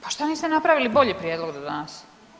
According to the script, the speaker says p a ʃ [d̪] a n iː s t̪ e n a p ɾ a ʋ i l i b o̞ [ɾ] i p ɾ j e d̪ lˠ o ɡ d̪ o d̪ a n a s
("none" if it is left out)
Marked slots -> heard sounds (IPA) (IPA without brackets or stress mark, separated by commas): t̪, ʎ